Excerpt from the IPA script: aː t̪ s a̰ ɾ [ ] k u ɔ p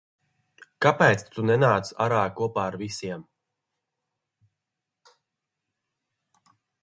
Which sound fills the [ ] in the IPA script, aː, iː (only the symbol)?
aː